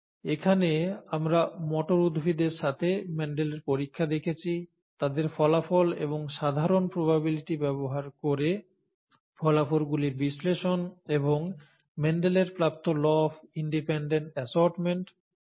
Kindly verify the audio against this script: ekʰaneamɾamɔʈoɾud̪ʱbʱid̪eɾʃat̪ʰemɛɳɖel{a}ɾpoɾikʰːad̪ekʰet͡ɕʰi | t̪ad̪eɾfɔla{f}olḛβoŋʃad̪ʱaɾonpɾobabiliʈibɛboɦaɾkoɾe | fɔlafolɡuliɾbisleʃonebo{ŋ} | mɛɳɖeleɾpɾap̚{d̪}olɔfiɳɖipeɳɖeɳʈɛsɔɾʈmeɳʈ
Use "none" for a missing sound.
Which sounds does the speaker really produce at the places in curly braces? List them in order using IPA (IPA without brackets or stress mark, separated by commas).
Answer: e, f, ŋ, t̪